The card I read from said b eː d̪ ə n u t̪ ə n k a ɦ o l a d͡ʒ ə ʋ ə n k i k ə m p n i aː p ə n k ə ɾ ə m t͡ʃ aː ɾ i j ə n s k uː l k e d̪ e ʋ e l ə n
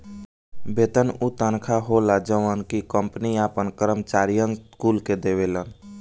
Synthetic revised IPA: b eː t̪ ə n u t̪ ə n kʰ a ɦ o l a d͡ʒ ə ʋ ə n k i k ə m p n i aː p ə n k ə ɾ ə m t͡ʃ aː ɾ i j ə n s k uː l k e d̪ e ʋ e l ə n